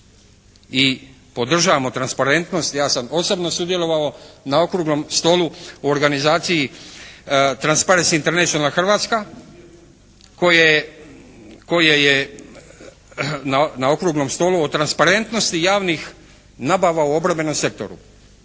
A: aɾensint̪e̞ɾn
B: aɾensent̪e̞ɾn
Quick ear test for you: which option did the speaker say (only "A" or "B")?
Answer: A